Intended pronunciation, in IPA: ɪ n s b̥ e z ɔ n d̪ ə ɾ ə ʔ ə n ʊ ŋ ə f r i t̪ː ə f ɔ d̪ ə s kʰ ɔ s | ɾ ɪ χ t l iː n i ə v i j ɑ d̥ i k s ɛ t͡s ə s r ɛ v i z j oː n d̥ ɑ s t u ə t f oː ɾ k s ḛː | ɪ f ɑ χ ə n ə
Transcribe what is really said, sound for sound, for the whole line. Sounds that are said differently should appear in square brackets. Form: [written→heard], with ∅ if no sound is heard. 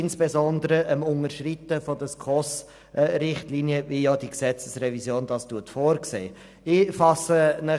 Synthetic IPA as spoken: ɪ n s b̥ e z ɔ n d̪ ə ɾ ə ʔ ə [n→m] ʊ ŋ ə [f→ʃ] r i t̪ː ə f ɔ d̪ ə s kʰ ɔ s | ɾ ɪ χ t l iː n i ə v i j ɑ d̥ i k s ɛ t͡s ə s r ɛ v i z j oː n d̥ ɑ s t u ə t f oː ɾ k s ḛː | ɪ f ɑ [χ→s] ə n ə

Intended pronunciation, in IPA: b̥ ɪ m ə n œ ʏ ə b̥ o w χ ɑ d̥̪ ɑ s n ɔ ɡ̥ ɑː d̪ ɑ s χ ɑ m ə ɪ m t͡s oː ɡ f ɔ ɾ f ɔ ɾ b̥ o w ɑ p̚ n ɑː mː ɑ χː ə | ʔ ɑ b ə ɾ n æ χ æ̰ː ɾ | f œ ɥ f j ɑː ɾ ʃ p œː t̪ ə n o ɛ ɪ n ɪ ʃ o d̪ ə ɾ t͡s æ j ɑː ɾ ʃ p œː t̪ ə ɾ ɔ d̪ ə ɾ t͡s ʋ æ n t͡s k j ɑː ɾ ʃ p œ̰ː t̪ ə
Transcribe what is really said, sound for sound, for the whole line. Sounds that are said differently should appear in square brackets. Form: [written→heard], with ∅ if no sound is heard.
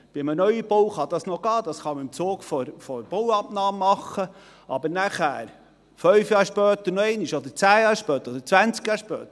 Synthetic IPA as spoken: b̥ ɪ m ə n œ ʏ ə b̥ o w χ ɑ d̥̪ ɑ s n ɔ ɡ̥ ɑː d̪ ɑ s χ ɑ m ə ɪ m t͡s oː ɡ f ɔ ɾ f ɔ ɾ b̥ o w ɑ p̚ n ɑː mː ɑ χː ə | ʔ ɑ b ə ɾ n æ χ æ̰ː ɾ | f œ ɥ f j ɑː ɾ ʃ p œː t̪ ə n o ɛ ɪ n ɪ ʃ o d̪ ə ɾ t͡s [æ→æː] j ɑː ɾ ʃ p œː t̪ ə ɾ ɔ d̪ ə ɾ t͡s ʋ æ n t͡s k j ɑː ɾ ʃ p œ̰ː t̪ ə

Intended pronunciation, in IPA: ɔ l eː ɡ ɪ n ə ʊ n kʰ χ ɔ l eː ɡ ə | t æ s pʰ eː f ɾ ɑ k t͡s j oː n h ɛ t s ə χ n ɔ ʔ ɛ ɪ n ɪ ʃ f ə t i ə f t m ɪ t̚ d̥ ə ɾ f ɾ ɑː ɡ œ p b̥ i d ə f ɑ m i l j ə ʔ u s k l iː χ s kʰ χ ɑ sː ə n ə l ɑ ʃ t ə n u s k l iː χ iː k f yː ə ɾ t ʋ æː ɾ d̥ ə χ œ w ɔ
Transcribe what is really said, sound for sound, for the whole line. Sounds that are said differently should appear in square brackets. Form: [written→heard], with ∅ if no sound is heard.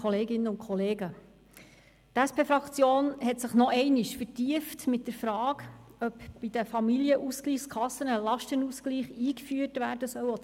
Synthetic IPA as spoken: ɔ l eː ɡ ɪ n ə ʊ n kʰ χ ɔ l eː ɡ ə | t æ s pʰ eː f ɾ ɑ k t͡s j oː n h ɛ t s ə χ n ɔ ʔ ɛ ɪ n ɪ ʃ f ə t i ə f t m ɪ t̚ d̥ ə ɾ f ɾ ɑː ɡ œ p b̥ i d ə f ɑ m i l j ə ʔ u s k l iː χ s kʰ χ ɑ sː ə n ə l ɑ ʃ t ə n u s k l iː χ iː k f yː ə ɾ t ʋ æː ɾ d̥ ə [χ→s] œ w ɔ

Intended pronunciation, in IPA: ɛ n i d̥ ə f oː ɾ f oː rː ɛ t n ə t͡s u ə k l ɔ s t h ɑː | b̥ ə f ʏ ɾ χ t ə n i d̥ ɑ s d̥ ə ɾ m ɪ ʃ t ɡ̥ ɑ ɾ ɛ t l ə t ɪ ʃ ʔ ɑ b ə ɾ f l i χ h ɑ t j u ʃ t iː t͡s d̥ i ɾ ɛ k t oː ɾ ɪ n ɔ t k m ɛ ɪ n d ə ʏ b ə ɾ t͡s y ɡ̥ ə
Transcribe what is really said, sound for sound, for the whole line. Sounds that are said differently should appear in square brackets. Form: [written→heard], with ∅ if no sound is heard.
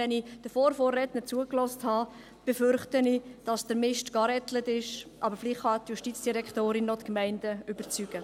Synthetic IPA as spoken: ɛ n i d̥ ə f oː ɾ f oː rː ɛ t n ə t͡s u ə k l ɔ s t h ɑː | b̥ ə f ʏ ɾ χ t ə n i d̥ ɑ s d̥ ə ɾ m ɪ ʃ t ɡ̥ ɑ ɾ ɛ t l ə t ɪ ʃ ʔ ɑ b ə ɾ f l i χ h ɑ t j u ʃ t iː t͡s d̥ i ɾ ɛ k t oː ɾ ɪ n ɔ t k m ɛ ɪ n d ə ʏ b ə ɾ t͡s y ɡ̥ ə

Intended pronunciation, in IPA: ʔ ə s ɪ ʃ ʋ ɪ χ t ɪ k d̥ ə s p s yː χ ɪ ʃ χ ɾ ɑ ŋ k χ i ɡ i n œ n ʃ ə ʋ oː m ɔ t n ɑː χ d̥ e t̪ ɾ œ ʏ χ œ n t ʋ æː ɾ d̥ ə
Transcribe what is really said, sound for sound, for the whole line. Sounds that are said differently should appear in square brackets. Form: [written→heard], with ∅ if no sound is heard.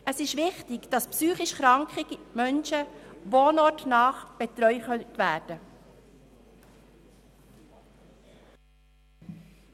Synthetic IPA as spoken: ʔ ə s ɪ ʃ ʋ ɪ χ t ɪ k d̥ [ə→ɑ] s p s yː χ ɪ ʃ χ ɾ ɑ ŋ k χ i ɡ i [n→m] œ n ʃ ə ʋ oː [m→n] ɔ t n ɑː χ [d̥→b̥] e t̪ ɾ œ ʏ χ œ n t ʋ æː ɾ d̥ ə

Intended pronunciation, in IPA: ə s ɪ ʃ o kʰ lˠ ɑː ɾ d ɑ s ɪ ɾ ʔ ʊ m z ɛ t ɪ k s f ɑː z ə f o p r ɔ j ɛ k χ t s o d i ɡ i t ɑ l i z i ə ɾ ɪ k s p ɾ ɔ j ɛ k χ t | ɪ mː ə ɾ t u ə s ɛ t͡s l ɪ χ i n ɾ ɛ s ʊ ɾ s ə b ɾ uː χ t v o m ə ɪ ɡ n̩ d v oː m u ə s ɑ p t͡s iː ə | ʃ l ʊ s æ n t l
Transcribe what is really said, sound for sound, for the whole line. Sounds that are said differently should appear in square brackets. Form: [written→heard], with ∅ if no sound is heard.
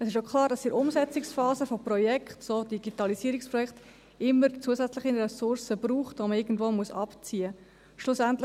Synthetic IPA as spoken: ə s ɪ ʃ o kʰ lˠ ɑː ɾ d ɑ s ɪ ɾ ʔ ʊ m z ɛ [t→t͡s] ɪ k s f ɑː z ə f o p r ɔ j ɛ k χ t s o d i ɡ i t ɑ l i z i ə ɾ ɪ k s p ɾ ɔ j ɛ k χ t | ɪ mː ə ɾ [t→t͡s] u ə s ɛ t͡s l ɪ χ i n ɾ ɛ s ʊ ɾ s ə b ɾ uː χ t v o m ə ɪ ɡ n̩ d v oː m u ə s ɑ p t͡s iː ə | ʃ l ʊ s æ n t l

